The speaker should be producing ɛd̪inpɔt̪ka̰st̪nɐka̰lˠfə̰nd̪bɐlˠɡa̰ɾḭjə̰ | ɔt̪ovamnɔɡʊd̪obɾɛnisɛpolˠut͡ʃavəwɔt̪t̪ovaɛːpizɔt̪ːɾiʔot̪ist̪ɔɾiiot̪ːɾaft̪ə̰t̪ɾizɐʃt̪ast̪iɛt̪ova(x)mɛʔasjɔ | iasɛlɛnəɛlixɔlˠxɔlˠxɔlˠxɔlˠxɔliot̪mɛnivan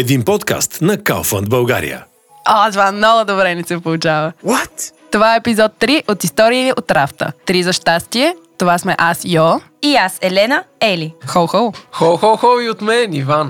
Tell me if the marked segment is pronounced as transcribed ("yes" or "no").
no